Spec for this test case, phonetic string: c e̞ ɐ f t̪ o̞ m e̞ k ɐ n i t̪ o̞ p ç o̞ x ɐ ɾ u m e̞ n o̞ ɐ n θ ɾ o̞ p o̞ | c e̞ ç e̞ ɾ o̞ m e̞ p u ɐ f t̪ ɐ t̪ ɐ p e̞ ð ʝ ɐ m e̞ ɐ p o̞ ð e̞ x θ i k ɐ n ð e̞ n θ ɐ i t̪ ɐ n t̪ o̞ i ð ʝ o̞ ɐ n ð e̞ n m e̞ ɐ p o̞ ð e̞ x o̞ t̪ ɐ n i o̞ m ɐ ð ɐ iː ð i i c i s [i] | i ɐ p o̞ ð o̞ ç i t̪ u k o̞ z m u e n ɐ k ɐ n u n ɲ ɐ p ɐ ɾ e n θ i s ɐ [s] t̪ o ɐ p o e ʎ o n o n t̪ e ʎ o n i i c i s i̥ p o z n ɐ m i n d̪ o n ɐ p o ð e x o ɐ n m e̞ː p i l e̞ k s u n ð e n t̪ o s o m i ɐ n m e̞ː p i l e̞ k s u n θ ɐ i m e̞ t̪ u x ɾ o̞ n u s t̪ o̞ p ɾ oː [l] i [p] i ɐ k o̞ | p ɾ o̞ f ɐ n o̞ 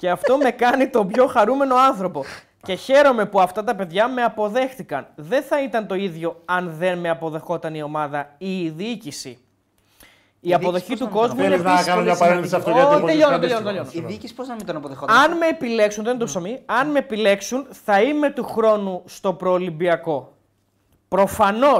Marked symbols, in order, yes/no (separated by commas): yes, no, yes, no